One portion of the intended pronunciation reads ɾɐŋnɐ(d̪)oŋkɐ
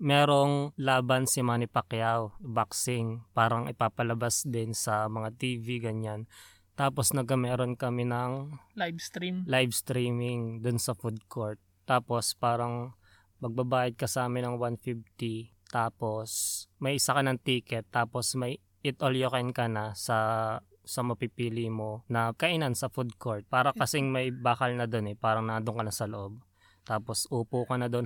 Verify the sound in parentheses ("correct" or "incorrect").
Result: correct